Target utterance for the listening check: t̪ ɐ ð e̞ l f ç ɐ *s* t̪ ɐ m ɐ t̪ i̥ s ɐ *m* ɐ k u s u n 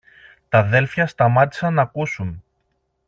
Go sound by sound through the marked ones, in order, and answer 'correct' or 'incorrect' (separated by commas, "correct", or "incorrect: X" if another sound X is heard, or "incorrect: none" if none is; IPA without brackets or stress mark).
correct, incorrect: n